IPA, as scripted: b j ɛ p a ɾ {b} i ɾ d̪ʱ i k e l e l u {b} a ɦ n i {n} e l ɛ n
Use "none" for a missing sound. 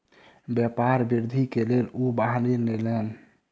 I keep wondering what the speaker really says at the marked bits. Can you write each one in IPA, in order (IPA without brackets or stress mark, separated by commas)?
b, b, n